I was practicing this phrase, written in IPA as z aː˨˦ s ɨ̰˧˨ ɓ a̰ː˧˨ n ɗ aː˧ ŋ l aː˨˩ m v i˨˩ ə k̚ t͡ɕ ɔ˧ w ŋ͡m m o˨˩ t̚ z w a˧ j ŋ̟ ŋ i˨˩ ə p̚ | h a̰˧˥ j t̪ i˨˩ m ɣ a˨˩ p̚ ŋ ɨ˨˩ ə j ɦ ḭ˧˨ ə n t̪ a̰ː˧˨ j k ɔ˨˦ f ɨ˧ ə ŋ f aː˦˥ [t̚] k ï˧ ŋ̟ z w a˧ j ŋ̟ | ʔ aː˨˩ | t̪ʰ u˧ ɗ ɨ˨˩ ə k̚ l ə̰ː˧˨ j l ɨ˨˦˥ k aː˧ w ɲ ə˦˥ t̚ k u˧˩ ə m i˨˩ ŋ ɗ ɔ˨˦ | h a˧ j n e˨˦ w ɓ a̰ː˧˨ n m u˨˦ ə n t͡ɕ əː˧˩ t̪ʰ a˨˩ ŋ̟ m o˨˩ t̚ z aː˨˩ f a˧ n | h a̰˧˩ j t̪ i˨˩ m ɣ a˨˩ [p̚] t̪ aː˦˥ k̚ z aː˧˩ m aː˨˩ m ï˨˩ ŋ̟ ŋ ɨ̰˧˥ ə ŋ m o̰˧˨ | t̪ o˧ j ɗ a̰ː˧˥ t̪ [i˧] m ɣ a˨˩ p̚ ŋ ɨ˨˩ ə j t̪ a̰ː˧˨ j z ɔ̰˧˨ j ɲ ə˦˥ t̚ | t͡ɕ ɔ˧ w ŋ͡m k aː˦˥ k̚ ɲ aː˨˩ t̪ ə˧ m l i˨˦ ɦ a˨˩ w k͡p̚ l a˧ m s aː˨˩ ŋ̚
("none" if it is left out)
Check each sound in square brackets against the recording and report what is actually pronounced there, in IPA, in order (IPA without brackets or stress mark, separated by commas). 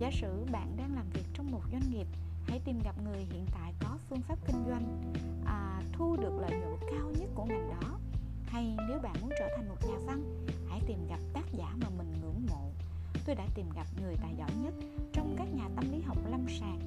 p̚, p̚, i˨˩